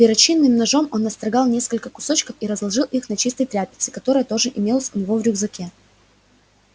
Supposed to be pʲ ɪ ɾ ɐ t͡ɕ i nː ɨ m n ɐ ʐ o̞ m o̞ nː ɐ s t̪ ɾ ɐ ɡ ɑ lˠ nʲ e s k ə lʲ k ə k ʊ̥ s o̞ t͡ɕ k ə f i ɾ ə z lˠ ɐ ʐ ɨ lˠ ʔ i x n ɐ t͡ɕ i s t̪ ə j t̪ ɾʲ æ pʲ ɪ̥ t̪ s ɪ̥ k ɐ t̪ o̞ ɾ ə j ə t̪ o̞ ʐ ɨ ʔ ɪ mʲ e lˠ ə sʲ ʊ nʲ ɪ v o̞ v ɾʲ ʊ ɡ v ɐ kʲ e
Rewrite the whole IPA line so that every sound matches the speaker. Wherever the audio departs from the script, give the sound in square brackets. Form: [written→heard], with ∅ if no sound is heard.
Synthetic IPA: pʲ ɪ ɾ ɐ t͡ɕ i nː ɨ m n ɐ ʐ o̞ m o̞ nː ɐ s t̪ ɾ ɐ ɡ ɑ lˠ nʲ e s k ə lʲ k ə k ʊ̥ s o̞ t͡ɕ k ə f i ɾ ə z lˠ ɐ ʐ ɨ lˠ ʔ i x n ɐ t͡ɕ i s t̪ ə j t̪ ɾʲ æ pʲ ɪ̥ t̪ s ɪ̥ k ɐ t̪ o̞ ɾ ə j ə t̪ o̞ ʐ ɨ ʔ ɪ mʲ e lˠ ə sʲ ʊ nʲ ɪ v o̞ v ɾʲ ʊ ɡ [v→z] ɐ kʲ e